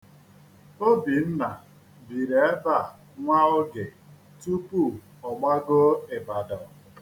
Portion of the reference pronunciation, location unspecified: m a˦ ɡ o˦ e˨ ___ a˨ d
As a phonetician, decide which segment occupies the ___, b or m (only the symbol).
b